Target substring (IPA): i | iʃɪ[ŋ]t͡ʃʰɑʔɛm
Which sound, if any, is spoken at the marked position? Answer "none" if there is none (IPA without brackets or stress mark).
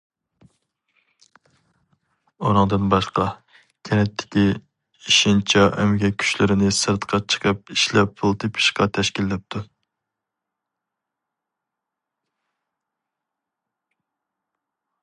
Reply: n